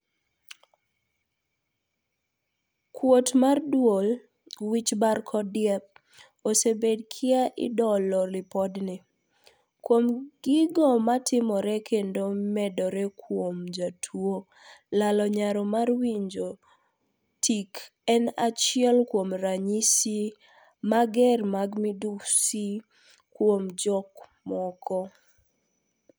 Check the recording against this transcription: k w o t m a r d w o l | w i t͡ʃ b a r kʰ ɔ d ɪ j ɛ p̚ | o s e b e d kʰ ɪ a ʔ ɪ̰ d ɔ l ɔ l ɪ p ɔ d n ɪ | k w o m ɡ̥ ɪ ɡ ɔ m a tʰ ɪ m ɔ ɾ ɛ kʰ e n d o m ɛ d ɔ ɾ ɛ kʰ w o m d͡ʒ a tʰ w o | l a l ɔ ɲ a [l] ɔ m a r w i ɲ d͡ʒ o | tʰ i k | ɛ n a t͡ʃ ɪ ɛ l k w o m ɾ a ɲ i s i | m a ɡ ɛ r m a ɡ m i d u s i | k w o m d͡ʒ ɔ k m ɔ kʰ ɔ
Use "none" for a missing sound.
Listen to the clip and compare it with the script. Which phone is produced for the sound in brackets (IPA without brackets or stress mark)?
ɾ